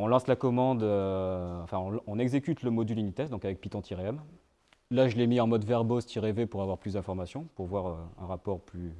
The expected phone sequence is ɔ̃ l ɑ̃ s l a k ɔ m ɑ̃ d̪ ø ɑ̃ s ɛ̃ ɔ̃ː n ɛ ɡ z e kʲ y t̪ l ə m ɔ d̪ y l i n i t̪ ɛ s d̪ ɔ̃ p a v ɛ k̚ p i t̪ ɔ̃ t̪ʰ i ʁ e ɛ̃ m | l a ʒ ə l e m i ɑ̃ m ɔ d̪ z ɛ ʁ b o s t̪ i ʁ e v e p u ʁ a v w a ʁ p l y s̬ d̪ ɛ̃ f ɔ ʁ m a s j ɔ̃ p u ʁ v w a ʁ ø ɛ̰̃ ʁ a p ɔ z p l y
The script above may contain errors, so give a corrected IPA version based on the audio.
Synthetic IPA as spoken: ɔ̃ l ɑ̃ s l a k ɔ m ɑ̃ d̪ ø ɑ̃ f ɛ̃ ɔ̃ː n ɛ ɡ z e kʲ y t̪ l ə m ɔ d̪ y l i n i t̪ ɛ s d̪ ɔ̃ k a v ɛ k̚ p i t̪ ɔ̃ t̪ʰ i ʁ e ɛ m | l a ʒ ə l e m i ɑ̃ m ɔ d̪ v ɛ ʁ b o s t̪ i ʁ e v e p u ʁ a v w a ʁ p l y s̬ d̪ ɛ̃ f ɔ ʁ m a s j ɔ̃ p u ʁ v w a ʁ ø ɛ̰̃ ʁ a p ɔ ʁ p l y